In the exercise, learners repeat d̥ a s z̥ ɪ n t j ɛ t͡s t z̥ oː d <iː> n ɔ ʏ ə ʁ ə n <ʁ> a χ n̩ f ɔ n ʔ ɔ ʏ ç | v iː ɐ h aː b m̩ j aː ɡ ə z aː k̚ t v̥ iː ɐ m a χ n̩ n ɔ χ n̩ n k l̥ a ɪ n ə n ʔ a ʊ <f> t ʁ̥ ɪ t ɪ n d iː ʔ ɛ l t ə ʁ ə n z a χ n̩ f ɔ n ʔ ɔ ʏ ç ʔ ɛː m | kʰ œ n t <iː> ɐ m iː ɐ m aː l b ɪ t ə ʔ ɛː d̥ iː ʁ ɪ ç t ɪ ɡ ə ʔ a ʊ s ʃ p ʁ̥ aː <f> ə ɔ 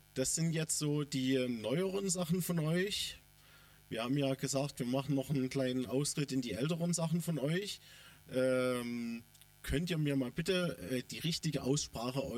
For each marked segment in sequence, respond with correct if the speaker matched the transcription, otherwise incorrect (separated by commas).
correct, incorrect, incorrect, correct, incorrect